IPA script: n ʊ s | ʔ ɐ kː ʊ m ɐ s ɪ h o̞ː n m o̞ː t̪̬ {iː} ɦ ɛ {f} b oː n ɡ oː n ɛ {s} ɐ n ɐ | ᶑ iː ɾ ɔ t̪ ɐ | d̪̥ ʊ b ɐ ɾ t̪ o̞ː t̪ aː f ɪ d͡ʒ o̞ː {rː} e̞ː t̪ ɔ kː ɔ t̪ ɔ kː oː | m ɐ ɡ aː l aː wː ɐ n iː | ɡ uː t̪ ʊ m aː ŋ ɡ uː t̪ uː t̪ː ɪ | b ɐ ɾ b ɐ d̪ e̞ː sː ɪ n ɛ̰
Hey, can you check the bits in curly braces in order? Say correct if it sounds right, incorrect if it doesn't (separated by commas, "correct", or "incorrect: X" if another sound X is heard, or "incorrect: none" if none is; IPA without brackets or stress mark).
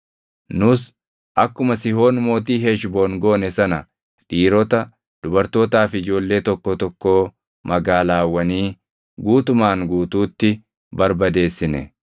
correct, incorrect: ʃ, correct, incorrect: lː